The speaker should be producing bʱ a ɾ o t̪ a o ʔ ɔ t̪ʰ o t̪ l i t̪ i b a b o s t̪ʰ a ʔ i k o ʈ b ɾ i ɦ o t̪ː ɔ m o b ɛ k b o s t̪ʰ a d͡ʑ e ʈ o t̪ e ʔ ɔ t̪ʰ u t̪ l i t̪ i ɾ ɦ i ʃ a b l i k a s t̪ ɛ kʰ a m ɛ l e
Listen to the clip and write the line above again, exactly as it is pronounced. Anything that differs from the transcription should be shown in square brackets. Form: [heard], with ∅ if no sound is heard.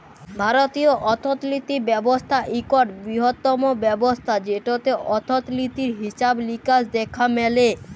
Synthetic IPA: bʱ a ɾ o t̪ [i] o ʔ ɔ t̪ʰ o t̪ l i t̪ i b [ɛ] b o s t̪ʰ a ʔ i k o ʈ b ɾ i ɦ o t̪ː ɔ m o b ɛ [∅] b o s t̪ʰ a d͡ʑ e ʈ o t̪ e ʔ ɔ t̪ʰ [o] t̪ l i t̪ i ɾ ɦ i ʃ a b l i k a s [d̪] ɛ kʰ a m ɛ l e